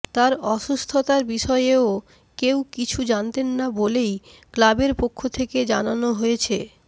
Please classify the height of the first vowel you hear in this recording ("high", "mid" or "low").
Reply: low